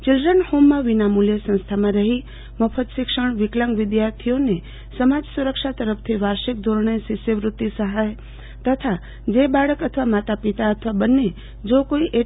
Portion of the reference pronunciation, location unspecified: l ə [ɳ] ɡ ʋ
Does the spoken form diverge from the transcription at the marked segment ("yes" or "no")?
yes